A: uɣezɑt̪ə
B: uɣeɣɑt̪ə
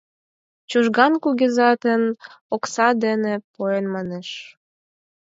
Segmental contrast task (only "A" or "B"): A